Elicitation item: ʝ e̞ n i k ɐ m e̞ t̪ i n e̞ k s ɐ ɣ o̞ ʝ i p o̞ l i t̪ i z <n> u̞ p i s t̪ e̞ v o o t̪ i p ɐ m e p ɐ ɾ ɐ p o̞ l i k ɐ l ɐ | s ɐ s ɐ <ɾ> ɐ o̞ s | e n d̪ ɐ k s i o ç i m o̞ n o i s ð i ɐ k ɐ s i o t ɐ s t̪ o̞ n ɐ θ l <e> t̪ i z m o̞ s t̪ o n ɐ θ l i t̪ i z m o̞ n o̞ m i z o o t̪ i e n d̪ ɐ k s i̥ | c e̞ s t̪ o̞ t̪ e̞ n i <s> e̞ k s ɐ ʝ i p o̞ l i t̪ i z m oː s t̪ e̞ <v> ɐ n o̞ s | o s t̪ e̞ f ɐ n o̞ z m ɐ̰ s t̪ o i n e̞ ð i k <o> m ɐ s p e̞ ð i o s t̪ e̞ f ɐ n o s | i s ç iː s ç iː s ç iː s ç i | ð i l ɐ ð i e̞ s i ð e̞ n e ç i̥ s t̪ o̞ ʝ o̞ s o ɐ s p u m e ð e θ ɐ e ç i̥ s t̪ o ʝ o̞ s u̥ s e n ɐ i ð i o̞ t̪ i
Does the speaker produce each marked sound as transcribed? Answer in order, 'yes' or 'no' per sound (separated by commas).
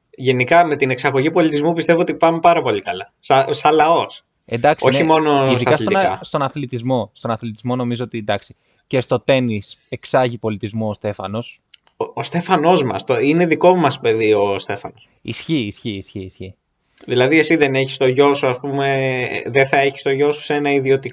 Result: no, no, no, yes, no, yes